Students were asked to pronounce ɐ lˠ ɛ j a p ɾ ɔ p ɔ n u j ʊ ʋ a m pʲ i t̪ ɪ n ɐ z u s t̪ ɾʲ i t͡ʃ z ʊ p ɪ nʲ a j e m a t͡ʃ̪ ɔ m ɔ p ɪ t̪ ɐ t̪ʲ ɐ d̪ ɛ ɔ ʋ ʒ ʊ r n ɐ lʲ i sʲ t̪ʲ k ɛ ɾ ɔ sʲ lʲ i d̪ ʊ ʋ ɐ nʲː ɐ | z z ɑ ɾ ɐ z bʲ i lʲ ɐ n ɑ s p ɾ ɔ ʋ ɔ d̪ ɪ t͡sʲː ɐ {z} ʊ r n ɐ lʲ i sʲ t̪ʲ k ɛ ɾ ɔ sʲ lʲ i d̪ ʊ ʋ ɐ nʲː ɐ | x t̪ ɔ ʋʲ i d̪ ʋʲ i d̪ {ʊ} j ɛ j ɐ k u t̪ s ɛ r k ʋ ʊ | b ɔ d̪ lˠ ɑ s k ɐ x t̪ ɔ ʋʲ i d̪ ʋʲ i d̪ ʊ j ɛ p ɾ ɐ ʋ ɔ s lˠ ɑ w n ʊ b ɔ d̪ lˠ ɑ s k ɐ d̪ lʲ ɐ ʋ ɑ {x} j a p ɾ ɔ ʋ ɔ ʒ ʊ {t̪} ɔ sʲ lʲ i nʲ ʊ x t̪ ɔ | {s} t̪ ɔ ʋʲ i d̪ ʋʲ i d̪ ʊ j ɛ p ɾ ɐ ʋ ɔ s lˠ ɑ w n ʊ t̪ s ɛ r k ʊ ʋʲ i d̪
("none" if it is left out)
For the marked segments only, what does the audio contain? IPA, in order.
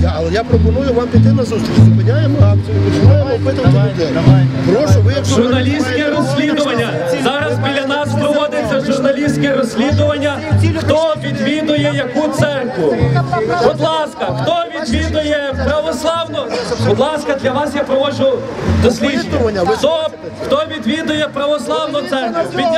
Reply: ʒ, ʊ, s, d̪, x

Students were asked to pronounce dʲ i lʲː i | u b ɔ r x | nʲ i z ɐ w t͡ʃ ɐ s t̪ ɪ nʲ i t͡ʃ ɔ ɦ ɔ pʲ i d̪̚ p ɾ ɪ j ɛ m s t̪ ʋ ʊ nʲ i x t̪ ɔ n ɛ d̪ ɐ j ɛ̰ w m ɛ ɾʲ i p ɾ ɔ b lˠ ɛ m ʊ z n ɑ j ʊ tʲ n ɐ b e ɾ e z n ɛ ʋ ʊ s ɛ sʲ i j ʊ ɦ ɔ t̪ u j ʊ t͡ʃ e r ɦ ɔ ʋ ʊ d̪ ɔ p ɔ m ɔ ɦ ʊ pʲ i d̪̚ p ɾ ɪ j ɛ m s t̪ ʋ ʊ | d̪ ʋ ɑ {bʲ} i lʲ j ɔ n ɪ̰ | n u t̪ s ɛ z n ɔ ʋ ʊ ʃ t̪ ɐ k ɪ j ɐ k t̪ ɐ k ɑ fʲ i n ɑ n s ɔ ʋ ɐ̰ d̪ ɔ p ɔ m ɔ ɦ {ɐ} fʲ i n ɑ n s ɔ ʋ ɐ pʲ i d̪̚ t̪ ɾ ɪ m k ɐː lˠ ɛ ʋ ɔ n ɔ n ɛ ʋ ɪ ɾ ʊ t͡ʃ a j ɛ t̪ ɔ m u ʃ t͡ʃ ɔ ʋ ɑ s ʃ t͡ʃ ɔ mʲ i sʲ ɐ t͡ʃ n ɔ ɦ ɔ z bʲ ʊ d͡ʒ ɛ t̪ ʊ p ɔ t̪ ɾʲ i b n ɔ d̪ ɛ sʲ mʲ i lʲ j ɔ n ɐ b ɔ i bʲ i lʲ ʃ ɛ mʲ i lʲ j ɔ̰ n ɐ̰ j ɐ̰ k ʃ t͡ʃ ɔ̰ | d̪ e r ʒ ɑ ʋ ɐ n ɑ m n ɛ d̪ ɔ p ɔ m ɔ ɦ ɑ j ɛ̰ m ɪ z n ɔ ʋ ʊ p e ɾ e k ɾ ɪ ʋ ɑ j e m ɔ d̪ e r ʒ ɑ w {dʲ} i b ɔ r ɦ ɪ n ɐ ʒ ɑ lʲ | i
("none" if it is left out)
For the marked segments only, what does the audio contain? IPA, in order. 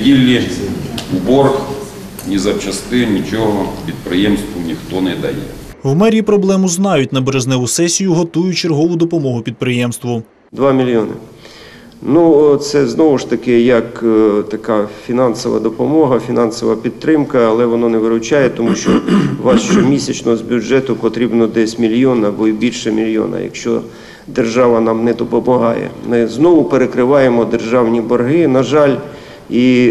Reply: mʲ, ɐ, nʲ

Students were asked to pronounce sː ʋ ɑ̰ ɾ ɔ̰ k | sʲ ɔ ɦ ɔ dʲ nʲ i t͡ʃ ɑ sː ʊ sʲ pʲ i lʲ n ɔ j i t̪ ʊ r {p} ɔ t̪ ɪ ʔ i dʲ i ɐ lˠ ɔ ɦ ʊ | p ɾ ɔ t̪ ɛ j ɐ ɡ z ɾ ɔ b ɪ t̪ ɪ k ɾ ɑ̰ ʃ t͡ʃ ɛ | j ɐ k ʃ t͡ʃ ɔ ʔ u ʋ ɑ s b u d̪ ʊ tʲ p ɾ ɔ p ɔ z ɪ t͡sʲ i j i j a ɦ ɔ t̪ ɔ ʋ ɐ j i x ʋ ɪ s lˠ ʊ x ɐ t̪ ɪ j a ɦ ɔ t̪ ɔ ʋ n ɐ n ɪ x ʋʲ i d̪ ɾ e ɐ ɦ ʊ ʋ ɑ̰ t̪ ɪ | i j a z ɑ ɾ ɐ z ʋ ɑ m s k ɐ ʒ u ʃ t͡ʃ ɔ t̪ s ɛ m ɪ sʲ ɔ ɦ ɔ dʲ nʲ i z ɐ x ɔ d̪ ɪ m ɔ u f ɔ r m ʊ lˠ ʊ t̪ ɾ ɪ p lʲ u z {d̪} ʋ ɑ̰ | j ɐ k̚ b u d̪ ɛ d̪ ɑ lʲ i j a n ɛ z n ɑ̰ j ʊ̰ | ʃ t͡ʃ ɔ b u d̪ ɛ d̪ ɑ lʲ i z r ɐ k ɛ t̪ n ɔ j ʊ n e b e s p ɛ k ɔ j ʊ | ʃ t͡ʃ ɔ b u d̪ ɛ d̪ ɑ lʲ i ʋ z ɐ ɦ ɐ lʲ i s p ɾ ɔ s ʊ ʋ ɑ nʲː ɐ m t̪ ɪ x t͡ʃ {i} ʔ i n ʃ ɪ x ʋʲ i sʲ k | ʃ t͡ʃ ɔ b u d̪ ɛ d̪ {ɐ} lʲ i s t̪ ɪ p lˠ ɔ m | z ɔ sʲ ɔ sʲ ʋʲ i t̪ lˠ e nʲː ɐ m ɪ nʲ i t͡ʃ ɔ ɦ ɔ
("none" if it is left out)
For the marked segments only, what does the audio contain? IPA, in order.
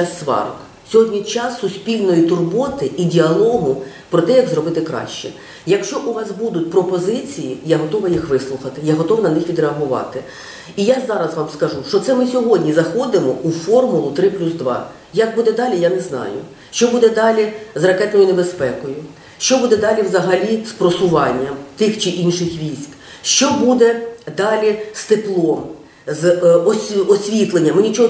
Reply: b, d̪, ɪ, ɑ

